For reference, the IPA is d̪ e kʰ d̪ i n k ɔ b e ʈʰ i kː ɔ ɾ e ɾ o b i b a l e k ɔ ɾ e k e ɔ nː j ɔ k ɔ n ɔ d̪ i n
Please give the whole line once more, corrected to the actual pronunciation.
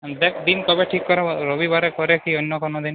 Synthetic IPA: d̪ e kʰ d̪ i n k ɔ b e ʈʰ i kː ɔ ɾ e ɾ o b i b a ɾ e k ɔ ɾ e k i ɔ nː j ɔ k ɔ n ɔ d̪ i n